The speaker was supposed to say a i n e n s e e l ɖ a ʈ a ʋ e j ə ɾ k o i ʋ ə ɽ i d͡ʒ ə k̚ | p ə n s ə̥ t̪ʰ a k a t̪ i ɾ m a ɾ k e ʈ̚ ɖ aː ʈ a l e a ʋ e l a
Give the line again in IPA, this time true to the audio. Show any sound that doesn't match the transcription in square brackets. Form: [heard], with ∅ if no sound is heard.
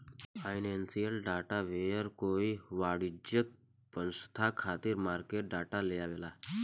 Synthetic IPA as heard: a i n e n s [i] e l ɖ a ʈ a ʋ e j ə ɾ k o i ʋ [a] ɽ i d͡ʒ ə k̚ | p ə n s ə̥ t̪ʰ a [kʰ] a t̪ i ɾ m a ɾ k e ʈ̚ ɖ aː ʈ a l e a ʋ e l a